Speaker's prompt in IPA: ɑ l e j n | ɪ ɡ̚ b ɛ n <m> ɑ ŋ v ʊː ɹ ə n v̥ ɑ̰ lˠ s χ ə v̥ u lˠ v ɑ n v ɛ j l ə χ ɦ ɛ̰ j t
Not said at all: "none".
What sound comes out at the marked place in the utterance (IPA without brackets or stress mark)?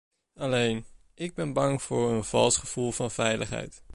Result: b